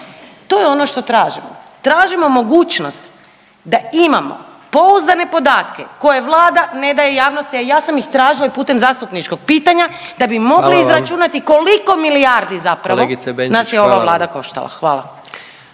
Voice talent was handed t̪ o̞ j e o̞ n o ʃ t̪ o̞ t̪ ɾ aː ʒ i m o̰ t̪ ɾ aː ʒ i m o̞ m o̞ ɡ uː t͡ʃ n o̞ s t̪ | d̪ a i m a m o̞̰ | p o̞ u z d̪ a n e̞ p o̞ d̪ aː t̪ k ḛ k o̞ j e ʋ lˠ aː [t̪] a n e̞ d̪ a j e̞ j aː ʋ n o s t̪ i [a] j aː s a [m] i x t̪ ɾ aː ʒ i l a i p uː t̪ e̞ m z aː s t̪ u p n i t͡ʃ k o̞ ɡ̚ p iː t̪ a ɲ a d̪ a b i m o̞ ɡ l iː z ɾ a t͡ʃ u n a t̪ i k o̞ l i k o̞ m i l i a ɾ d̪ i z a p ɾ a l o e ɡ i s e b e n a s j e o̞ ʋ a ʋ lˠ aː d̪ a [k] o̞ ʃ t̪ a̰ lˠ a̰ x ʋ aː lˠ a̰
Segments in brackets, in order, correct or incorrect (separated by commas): incorrect, correct, correct, correct